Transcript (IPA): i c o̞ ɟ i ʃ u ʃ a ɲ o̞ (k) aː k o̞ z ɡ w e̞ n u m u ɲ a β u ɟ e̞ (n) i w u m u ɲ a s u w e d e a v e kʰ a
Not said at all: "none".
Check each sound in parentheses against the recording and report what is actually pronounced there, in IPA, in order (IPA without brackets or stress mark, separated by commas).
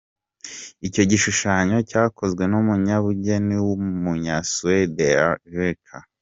c, n